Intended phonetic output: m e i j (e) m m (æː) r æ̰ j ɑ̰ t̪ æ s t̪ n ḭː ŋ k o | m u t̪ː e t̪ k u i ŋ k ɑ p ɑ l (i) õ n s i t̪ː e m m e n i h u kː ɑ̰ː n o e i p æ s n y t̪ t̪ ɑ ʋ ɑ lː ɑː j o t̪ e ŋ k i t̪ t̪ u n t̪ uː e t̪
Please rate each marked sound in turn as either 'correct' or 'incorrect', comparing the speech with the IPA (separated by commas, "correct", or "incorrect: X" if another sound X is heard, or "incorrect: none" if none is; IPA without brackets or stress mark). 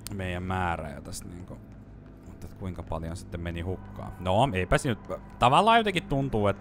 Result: incorrect: æ, correct, incorrect: j